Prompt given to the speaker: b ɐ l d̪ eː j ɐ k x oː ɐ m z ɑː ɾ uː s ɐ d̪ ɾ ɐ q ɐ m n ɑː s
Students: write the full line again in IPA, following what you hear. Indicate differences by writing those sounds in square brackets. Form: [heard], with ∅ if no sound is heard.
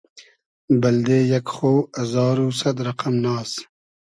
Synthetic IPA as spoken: b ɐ l d̪ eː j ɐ k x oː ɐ [∅] z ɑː ɾ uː s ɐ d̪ ɾ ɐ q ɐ m n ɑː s